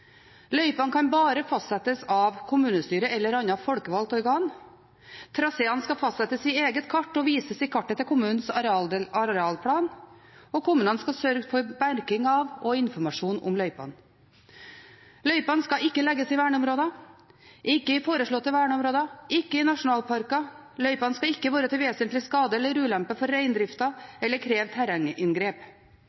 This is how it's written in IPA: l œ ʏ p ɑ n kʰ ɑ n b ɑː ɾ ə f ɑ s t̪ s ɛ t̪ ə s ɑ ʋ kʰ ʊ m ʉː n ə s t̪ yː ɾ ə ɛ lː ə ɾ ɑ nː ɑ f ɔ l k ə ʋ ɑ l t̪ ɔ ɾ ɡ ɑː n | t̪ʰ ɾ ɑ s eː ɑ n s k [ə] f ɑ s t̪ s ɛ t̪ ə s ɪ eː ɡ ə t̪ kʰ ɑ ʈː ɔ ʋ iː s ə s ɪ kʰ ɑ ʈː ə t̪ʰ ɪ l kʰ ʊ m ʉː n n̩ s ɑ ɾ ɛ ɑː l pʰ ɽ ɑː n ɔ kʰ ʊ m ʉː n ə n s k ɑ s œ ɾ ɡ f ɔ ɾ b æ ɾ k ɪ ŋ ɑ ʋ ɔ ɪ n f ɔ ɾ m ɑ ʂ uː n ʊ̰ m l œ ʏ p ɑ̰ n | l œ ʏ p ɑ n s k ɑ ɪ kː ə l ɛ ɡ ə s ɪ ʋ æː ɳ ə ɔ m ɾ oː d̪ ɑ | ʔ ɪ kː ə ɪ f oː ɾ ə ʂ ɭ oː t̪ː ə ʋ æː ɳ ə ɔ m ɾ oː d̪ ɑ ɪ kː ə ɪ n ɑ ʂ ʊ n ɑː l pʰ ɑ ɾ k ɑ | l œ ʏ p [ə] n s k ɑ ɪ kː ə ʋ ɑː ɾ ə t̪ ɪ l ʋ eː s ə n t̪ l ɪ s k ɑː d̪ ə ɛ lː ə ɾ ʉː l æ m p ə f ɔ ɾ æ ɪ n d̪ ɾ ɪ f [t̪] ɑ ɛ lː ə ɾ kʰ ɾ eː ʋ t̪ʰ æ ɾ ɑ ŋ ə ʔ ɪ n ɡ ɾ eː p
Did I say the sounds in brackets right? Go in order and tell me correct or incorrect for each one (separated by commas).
incorrect, incorrect, correct